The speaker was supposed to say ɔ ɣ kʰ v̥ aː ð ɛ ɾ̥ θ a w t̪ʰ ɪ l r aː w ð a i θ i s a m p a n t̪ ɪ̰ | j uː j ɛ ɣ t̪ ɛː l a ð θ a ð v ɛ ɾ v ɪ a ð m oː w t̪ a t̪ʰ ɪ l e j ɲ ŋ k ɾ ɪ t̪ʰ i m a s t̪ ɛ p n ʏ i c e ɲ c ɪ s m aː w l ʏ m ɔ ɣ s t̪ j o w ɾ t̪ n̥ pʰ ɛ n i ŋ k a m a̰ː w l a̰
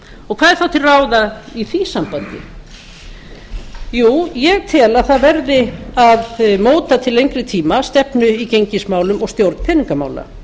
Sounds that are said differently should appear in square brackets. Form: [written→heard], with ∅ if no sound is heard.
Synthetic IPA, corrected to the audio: ɔ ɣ kʰ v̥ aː ð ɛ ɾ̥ θ a w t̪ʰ ɪ l r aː w ð a i θ i s a m p a n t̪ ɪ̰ | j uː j ɛ ɣ [t̪→t̪ʰ] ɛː l a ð θ a ð v ɛ ɾ [v→ð] ɪ a ð m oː w t̪ a t̪ʰ ɪ l e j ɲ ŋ k ɾ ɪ t̪ʰ [i→iː] m a s t̪ ɛ p n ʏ i c e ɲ c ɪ s m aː w l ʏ m ɔ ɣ s t̪ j o w ɾ t̪ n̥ pʰ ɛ n i ŋ k a m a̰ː w l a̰

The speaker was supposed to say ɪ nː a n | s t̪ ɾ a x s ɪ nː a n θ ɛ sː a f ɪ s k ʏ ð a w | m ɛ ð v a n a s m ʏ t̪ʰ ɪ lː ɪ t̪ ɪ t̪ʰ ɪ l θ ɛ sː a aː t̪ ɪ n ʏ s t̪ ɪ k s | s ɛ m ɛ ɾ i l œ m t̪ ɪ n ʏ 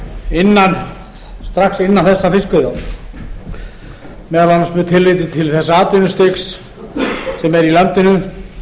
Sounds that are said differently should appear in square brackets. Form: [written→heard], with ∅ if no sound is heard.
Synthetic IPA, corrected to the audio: ɪ nː a n | s t̪ ɾ a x s ɪ nː a n θ ɛ sː a f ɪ s k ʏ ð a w | m ɛ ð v a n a s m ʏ t̪ʰ ɪ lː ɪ t̪ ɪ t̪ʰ ɪ l θ ɛ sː a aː t̪ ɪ n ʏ s t̪ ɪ k s | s ɛ m ɛ ɾ i l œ m t̪ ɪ n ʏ

